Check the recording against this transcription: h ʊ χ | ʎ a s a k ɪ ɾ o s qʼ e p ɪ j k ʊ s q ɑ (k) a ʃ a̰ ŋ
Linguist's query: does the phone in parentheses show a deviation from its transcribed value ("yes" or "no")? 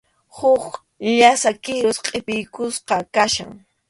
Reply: no